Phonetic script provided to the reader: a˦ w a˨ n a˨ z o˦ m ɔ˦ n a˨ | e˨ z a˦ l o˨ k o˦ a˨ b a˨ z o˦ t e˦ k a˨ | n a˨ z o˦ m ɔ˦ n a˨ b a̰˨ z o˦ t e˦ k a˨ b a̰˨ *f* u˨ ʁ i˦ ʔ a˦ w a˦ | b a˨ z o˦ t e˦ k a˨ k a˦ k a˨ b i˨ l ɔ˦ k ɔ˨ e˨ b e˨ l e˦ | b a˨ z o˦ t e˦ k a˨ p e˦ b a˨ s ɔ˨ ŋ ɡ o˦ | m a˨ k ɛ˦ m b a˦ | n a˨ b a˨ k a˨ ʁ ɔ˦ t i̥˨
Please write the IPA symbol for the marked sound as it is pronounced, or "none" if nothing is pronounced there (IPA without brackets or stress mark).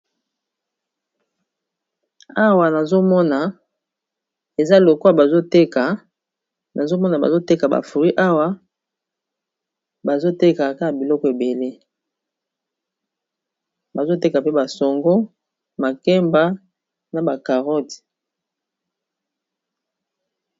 f